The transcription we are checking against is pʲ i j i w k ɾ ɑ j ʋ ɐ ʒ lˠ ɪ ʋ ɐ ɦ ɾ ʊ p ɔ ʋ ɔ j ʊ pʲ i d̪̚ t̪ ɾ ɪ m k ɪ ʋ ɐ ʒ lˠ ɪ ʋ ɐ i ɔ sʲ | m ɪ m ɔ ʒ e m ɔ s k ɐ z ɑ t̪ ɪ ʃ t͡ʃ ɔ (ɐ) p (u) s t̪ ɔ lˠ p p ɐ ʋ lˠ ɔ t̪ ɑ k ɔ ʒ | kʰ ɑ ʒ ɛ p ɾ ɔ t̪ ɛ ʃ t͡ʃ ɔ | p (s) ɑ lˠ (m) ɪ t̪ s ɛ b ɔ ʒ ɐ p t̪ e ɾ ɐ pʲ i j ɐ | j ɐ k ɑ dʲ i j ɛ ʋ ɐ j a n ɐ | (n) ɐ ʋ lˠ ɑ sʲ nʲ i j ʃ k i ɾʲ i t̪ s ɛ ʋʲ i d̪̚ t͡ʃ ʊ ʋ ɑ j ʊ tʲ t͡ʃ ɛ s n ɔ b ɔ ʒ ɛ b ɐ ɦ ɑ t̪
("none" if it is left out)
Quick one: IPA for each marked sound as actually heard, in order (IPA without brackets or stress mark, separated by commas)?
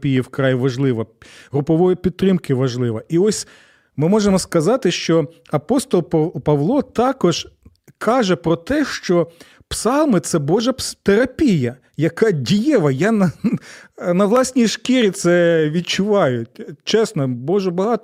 ɐ, ɔ, s, m, n